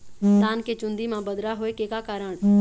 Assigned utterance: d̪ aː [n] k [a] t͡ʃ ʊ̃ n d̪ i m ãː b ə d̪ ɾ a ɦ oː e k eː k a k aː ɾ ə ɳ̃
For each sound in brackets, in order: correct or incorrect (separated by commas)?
correct, incorrect